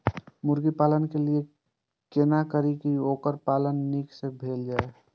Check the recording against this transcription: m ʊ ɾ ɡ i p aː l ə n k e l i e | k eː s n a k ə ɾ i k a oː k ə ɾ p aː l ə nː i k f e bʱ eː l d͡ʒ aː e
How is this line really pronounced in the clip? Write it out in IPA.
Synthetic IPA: m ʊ ɾ ɡ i p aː l ə n k e l i e | k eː n a k ə ɾ i k i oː k ə ɾ p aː l ə nː i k s e bʱ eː l d͡ʒ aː e